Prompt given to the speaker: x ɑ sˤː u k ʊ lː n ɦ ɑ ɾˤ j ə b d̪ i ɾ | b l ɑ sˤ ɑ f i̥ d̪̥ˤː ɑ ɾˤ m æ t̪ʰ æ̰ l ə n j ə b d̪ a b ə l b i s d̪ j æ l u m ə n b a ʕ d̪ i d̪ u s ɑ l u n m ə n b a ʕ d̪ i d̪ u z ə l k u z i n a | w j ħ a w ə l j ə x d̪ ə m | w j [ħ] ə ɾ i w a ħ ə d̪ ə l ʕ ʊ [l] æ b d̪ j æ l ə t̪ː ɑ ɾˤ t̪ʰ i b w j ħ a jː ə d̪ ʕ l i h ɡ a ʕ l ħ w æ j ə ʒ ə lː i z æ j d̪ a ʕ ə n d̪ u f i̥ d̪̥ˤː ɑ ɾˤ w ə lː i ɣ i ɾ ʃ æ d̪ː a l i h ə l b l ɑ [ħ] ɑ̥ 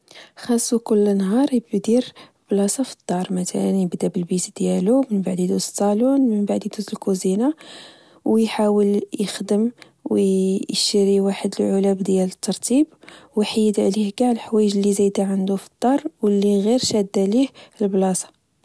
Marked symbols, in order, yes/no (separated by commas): no, yes, no